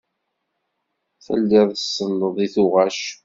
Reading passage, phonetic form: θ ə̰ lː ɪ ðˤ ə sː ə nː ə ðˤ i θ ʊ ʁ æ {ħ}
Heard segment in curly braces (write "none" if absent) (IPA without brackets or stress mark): ʃ